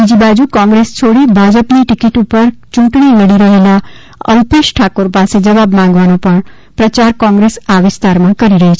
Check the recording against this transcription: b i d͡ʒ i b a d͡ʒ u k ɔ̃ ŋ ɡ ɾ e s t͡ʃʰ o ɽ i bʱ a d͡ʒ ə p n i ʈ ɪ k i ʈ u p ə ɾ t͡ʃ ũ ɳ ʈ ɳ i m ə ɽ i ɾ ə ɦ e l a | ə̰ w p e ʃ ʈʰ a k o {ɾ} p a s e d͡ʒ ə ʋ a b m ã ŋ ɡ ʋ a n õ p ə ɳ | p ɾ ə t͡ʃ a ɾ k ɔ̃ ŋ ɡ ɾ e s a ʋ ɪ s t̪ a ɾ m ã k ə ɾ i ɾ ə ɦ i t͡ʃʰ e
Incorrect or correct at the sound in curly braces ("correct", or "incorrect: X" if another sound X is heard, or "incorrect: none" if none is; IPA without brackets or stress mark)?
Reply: correct